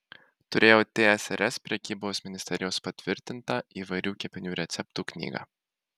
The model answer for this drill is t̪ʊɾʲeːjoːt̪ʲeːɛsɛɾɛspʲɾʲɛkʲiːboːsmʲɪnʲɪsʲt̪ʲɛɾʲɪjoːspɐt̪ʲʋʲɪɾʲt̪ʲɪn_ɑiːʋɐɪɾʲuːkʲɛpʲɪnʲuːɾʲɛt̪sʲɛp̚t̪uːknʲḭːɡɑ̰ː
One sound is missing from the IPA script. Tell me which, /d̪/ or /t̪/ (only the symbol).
t̪